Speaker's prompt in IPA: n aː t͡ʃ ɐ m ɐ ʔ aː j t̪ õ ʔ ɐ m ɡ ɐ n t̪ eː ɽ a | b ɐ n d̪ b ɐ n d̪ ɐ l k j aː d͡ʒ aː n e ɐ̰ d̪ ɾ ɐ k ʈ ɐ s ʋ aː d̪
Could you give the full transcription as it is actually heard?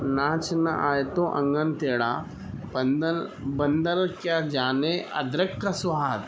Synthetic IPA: n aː t͡ʃ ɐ n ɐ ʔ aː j t̪ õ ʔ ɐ ŋ ɡ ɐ n t̪ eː ɽ a | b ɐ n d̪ b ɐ n d̪ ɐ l k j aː d͡ʒ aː n e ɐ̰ d̪ ɾ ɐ k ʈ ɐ s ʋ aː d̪